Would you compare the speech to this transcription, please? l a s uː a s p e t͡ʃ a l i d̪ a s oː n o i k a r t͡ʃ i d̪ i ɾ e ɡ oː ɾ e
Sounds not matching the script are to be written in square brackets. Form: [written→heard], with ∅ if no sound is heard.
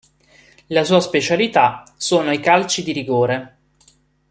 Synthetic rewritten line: l a s uː a s p e t͡ʃ a l i [d̪→t̪] a s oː n o i k a [r→l] t͡ʃ i d̪ i ɾ [e→i] ɡ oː ɾ e